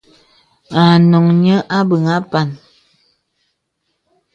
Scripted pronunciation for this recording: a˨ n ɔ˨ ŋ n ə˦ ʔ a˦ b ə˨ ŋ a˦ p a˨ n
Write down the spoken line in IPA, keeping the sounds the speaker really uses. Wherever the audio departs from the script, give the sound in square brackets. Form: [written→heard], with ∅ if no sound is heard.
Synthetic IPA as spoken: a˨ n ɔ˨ ŋ [n→ɲ] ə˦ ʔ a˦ b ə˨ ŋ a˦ p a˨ n

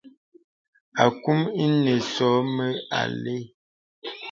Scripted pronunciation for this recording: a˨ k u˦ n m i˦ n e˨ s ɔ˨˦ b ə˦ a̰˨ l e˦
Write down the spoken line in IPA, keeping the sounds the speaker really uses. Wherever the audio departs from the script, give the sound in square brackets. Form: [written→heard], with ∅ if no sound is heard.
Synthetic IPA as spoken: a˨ k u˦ [n→∅] m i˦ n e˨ s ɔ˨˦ [b→m] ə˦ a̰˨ l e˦

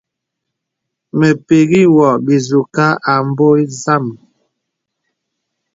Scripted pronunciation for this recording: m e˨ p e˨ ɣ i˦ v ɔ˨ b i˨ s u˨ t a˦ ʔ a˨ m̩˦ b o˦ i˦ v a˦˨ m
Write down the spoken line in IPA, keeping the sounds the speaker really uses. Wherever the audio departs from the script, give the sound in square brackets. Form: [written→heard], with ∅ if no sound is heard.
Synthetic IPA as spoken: m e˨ p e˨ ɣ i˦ [v→w] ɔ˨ b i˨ [s→z] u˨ [t→k] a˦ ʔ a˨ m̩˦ b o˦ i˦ [v→z] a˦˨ m

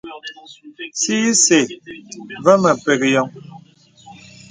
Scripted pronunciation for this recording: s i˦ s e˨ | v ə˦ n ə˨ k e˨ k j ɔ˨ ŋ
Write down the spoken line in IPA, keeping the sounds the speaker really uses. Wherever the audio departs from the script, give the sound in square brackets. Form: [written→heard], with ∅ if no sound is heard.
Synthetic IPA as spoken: s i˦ s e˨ | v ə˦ [n→m] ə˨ [k→p] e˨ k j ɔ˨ ŋ

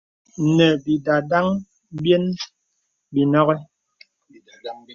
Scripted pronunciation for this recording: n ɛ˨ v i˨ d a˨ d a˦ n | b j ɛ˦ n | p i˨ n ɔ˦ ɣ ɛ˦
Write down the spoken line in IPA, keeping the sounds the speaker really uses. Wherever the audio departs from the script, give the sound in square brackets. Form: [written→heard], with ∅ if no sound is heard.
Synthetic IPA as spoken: n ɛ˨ [v→b] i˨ d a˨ d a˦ [n→ŋ] | b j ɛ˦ n | [p→b] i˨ n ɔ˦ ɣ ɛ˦

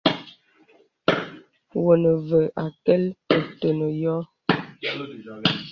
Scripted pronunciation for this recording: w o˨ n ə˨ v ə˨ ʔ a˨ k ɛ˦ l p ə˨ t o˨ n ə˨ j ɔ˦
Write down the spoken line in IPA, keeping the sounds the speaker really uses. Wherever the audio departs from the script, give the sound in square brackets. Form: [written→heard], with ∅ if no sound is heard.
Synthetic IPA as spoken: w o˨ n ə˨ v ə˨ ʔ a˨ k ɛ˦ l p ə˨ t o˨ n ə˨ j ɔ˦

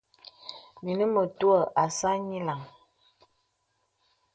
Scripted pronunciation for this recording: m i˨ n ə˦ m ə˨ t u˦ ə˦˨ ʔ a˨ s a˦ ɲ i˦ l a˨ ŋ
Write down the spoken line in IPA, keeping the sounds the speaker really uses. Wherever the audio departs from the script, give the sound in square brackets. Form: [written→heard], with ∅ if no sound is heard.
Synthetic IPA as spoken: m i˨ n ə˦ m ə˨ t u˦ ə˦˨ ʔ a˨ s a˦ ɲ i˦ l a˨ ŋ

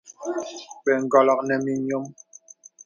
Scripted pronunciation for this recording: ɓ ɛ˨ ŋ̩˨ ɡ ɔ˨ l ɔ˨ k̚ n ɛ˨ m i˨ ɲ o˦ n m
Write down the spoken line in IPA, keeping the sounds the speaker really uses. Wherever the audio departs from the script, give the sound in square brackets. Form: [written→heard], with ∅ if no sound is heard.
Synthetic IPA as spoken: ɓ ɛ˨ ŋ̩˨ ɡ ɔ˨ l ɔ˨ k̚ n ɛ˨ m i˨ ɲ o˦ [n→∅] m

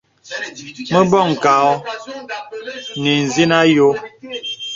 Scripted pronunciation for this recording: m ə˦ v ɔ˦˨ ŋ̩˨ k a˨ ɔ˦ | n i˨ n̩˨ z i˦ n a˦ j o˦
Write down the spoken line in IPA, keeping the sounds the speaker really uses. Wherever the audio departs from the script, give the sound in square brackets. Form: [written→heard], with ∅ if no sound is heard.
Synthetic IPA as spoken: m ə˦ [v→b] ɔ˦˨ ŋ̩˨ k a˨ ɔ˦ | n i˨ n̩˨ z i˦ n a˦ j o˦

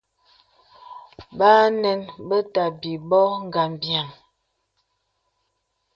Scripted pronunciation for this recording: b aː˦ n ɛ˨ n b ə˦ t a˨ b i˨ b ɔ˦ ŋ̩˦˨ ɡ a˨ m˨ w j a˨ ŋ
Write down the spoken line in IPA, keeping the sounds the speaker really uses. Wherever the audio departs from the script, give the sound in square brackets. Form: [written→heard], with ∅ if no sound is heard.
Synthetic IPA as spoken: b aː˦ n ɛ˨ n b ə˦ t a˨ b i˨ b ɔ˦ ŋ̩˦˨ ɡ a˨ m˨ [w→b] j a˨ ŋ

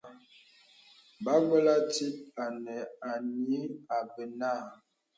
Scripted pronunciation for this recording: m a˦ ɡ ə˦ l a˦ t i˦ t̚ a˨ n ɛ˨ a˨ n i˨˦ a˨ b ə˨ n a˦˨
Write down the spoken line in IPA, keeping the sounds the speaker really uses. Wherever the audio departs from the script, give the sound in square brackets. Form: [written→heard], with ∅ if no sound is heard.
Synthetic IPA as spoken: [m→b] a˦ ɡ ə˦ l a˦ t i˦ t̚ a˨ n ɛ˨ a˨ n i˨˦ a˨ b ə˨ n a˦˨

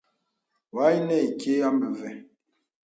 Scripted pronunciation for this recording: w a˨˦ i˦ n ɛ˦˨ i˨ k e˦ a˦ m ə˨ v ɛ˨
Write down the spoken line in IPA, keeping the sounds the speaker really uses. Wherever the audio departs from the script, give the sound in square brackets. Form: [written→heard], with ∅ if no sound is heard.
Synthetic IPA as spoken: w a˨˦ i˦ n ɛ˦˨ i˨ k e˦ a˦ m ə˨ v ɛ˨

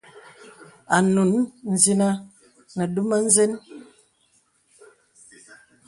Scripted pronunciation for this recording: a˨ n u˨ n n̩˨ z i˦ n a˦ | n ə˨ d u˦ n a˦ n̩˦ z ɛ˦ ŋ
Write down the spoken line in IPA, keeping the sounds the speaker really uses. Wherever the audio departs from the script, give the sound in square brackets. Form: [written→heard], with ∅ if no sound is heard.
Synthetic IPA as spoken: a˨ n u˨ n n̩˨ z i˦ n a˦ | n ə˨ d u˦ [n→m] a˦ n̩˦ z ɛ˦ [ŋ→n]

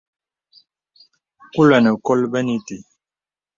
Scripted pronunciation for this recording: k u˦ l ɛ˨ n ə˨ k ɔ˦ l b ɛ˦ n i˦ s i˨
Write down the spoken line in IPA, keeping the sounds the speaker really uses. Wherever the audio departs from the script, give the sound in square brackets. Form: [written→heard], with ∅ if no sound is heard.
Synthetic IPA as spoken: k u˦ l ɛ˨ n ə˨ k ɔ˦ l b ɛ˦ n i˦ [s→t] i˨

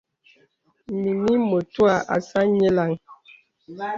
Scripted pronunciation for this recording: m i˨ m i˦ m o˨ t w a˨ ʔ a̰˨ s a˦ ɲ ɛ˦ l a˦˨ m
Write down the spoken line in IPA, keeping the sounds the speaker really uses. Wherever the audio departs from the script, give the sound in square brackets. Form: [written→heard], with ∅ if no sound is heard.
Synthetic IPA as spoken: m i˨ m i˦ m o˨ t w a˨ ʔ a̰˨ s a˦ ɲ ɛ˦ l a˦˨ [m→ŋ]

